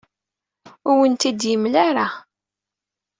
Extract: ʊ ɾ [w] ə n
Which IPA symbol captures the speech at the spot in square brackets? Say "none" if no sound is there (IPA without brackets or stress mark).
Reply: w